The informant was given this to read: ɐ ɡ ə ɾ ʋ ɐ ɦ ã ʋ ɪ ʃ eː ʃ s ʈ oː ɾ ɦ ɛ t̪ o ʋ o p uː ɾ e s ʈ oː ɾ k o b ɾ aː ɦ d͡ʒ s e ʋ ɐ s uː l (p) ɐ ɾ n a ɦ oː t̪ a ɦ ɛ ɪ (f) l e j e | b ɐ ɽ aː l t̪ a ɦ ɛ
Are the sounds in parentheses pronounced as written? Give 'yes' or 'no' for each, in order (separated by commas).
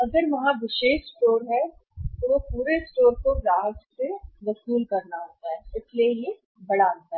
no, no